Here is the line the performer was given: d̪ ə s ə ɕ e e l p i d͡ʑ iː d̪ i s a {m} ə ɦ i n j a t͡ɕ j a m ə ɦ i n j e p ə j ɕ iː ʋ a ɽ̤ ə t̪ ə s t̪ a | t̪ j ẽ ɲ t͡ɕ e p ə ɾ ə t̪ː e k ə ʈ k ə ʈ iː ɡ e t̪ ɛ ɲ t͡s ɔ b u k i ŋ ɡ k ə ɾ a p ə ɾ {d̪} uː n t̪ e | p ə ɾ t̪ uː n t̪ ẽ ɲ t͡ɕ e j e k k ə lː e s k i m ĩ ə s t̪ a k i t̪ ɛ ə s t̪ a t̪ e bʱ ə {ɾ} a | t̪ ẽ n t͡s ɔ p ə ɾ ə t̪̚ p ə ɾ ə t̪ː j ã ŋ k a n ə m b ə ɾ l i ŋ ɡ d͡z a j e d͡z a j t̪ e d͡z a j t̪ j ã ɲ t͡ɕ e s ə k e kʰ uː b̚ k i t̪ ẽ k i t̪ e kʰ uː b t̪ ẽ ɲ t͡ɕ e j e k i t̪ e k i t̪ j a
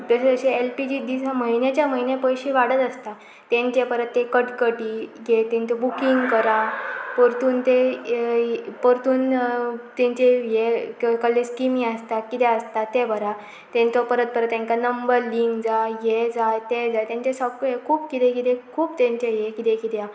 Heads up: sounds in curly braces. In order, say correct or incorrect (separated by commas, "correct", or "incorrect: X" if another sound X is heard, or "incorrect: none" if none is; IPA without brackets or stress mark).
correct, incorrect: t̪, correct